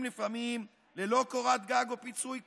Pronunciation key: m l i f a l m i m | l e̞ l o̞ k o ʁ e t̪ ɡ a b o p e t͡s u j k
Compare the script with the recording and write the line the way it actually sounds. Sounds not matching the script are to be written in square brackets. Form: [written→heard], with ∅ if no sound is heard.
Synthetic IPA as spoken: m l i f a [l→∅] m i m | l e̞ l o̞ k o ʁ [e→a] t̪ ɡ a [b→ɡ] o p [e→i] t͡s u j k

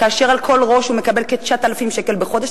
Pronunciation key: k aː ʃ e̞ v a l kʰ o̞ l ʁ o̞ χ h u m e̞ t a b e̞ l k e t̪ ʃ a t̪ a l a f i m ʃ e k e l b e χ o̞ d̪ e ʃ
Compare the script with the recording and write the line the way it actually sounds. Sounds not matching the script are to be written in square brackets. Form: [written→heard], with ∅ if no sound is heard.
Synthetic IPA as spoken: k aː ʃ e̞ [v→ʁ] a l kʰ o̞ l ʁ o̞ [χ→ʃ] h u m e̞ [t→k] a b e̞ l k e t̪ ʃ a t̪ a l a f i m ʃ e k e l b e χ o̞ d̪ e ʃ

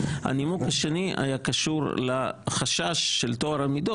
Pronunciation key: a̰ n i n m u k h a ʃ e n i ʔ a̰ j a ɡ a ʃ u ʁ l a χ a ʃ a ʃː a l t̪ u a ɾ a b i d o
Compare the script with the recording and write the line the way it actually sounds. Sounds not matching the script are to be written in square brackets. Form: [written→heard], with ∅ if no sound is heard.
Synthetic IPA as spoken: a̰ n i [n→∅] m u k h a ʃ e n i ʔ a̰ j a [ɡ→k] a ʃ u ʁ l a χ a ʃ a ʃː [a→e] l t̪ [u→o] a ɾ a [b→m] i d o

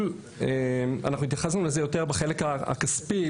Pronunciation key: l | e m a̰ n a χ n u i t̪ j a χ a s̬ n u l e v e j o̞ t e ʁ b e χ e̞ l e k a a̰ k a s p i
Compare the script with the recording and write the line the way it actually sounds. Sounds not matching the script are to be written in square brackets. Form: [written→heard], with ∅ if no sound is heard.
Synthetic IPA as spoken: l | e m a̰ n a χ n u i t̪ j a χ a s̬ n u l e [v→z] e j o̞ t e ʁ b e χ e̞ l e k a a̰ k a s p i

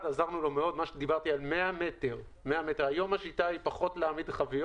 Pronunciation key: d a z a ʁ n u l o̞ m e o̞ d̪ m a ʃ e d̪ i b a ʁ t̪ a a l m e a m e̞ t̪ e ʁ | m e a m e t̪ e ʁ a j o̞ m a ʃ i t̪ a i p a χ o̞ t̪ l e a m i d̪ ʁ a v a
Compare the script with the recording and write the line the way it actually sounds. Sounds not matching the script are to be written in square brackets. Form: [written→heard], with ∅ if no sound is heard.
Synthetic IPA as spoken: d a z a ʁ n u l o̞ m e o̞ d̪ m a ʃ e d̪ i b a ʁ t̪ [a→i] a l m e a m e̞ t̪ e ʁ | m e a m e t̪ e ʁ a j o̞ m a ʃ i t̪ a i p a χ o̞ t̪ l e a m i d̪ [ʁ→χ] a v [a→i]

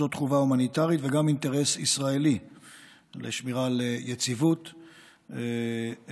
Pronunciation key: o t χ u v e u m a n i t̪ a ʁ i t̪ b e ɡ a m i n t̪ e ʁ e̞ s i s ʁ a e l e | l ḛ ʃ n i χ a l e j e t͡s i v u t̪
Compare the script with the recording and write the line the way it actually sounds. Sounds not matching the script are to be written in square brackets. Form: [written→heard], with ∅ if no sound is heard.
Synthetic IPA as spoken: o t χ u v [e→a] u m a n i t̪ a ʁ i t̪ [b→v] e ɡ a m i n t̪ e ʁ e̞ s i s ʁ a e l [e→i] | l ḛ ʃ [n→m] i [χ→ʁ] a l e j e t͡s i v u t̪

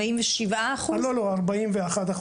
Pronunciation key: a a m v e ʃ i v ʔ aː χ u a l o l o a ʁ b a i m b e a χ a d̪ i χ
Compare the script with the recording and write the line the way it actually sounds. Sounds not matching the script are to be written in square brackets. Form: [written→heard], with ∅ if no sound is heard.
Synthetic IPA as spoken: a [a→i] m v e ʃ i v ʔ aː χ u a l o l o a ʁ b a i m [b→v] e a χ a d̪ [i→a] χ

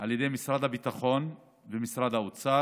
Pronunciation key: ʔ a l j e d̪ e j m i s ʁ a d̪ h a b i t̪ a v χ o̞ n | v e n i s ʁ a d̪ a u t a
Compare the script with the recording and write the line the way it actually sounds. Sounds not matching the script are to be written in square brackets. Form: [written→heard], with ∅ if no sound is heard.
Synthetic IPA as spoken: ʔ a l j e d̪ e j m i s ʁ a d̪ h a b i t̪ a [v→∅] χ o̞ n | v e [n→m] i s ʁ a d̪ a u [t→t͡s] a

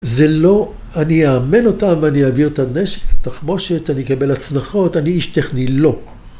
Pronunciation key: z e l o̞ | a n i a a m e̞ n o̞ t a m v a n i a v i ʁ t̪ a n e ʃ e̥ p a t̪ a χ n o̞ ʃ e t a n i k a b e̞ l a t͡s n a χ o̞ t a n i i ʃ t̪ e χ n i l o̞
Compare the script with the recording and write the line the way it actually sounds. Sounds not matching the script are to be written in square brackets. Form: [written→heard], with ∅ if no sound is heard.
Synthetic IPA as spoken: z e l o̞ | a n i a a m e̞ n o̞ t a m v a n i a v i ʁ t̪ a n e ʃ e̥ [p→k] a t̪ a χ [n→m] o̞ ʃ e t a n i k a b e̞ l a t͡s n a χ o̞ t a n i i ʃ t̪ e χ n i l o̞

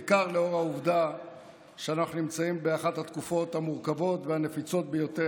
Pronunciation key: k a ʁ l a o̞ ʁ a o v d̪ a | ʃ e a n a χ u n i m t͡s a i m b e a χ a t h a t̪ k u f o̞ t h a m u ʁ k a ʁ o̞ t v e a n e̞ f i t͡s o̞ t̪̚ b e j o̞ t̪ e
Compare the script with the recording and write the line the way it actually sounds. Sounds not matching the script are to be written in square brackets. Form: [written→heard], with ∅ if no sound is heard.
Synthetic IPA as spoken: k a ʁ l [a→e] o̞ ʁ a [o→u] v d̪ a | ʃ e a n a χ u n i m t͡s a i m b e a χ a t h a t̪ k u f o̞ t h a m u ʁ k a [ʁ→v] o̞ t v e a n e̞ f i t͡s o̞ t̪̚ b e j o̞ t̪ e

